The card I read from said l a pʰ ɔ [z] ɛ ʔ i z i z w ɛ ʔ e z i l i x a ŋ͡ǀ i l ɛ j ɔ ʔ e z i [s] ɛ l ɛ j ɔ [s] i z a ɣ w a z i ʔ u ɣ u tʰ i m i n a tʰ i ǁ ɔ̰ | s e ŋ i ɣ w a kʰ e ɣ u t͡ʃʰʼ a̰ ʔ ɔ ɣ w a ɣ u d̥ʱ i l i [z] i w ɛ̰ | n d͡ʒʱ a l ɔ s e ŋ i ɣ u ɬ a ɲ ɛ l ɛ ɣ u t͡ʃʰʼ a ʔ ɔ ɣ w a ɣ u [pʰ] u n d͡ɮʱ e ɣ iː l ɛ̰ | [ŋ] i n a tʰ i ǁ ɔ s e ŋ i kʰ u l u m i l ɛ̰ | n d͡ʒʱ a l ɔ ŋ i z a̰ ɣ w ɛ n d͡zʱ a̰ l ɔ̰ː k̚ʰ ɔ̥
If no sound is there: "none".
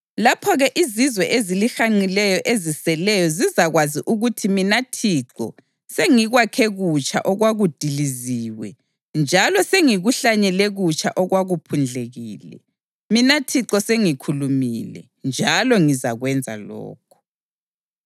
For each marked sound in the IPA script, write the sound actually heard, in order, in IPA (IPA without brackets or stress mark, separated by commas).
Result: ɣ, s, z, z, pʰ, m